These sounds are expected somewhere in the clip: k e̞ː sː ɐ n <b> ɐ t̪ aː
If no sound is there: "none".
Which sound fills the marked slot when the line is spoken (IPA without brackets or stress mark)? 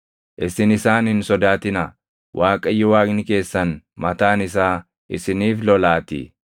m